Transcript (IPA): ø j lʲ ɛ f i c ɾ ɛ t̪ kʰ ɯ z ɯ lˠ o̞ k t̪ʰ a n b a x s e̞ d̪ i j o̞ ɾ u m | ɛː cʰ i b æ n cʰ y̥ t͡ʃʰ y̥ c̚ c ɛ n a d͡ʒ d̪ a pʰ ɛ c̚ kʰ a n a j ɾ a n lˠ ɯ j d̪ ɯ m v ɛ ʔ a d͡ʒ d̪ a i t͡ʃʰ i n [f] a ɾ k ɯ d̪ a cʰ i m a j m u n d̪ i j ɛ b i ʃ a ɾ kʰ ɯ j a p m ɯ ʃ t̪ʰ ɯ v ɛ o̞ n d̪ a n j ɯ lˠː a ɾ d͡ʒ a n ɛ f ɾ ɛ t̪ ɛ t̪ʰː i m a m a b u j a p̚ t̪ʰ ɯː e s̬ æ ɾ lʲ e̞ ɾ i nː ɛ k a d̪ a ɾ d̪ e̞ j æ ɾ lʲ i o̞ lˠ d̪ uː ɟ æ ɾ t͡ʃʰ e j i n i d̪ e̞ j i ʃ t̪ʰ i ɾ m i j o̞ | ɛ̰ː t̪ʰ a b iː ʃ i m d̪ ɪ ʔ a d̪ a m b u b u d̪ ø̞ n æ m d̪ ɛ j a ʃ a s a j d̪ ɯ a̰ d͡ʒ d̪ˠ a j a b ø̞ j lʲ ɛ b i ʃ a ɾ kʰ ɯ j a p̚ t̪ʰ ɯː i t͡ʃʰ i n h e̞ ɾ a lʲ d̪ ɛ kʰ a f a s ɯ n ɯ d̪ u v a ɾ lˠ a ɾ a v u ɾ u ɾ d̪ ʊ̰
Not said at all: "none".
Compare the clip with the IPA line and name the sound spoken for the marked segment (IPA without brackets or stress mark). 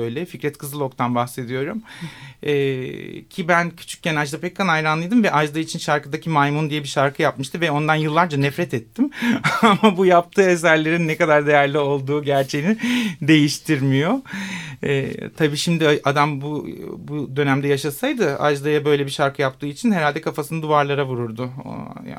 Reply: ʃ